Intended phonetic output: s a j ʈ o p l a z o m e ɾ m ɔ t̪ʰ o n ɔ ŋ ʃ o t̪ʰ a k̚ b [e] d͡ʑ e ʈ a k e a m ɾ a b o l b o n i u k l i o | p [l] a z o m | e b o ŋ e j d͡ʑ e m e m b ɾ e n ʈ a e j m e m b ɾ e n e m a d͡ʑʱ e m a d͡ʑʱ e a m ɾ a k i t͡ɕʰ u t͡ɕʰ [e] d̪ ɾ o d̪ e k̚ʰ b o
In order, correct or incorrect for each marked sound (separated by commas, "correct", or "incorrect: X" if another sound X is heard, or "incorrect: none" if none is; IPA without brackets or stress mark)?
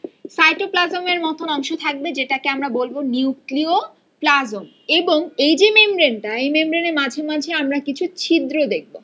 correct, correct, incorrect: i